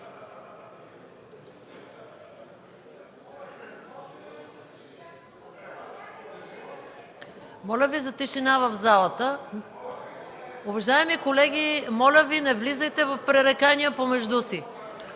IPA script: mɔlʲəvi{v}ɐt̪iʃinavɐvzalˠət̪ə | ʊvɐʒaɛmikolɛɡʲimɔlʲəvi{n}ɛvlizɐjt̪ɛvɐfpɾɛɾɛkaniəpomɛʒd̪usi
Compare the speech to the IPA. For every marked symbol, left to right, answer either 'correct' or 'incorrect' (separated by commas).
incorrect, correct